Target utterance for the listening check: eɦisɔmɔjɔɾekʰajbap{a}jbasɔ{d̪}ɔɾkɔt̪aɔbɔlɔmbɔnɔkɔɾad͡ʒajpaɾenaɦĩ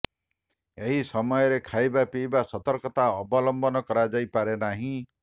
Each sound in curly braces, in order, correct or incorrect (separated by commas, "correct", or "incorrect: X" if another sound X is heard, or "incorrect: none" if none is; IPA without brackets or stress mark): incorrect: i, incorrect: t̪